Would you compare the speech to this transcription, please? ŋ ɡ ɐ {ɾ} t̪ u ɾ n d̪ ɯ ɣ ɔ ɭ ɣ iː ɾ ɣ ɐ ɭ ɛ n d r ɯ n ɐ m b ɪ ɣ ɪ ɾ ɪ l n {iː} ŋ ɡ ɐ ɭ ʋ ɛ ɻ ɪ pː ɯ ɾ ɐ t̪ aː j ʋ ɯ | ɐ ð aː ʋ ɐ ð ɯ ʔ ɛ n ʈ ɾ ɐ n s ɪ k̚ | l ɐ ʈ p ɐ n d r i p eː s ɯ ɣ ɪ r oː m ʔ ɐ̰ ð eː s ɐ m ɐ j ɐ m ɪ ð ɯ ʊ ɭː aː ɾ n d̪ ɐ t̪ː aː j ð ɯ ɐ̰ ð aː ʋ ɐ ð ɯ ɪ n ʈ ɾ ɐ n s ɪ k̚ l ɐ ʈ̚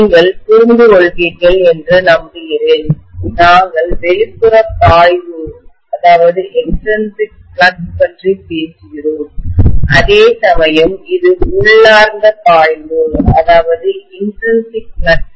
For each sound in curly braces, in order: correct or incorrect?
incorrect: ɭ, incorrect: aː

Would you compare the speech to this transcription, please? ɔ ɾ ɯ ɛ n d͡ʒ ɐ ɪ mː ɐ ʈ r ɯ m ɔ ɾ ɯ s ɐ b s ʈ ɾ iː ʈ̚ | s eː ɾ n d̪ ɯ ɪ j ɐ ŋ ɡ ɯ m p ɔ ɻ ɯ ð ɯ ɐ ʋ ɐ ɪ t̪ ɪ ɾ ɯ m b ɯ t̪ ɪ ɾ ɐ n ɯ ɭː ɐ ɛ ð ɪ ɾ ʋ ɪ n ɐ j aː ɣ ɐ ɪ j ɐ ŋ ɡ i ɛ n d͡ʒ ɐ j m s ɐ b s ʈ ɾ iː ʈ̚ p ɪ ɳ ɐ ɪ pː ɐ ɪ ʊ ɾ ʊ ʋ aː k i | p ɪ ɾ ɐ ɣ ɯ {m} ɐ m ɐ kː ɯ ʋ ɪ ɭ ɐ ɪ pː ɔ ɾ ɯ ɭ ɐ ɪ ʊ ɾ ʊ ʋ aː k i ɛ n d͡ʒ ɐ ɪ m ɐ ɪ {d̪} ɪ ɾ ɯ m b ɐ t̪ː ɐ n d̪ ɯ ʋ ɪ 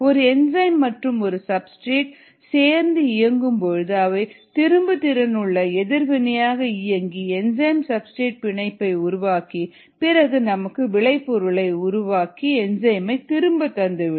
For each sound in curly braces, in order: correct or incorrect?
incorrect: n, incorrect: t̪

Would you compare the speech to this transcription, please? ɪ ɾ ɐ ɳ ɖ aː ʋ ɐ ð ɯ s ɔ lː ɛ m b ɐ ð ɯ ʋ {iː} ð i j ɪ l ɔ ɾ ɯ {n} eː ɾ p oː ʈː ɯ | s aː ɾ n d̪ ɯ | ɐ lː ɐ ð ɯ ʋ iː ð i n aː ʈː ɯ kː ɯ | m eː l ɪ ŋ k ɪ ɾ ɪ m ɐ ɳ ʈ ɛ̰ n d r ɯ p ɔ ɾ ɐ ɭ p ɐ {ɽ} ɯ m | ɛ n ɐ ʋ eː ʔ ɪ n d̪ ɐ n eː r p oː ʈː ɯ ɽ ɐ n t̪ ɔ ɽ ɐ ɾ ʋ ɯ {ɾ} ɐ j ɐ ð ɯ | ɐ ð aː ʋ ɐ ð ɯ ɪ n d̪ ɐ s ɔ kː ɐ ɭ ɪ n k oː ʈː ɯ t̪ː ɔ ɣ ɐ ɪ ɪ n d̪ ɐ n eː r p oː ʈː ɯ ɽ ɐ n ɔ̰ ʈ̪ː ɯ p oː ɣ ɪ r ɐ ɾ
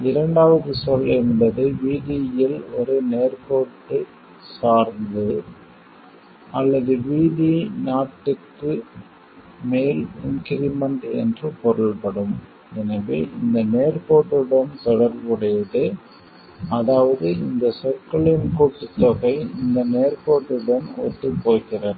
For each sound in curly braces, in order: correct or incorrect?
correct, correct, correct, incorrect: ɽ

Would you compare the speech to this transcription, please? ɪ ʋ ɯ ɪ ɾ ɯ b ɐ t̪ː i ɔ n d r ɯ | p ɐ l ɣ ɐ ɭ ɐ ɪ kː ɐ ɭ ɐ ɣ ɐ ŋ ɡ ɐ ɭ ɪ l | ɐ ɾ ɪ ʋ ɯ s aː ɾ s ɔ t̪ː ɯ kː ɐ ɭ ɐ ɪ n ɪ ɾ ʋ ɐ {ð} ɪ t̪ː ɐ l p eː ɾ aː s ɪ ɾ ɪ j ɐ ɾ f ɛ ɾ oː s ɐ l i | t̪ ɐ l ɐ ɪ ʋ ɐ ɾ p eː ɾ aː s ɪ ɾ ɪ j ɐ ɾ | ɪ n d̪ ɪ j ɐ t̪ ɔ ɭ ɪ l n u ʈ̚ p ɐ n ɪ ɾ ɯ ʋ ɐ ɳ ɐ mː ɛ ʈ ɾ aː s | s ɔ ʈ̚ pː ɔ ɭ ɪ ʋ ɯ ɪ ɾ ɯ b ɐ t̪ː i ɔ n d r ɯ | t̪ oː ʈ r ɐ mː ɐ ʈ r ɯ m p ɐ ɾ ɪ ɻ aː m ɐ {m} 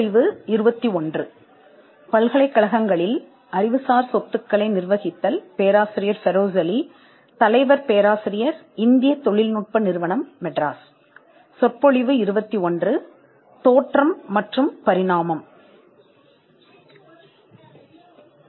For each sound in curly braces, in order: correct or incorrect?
incorrect: ɣ, correct

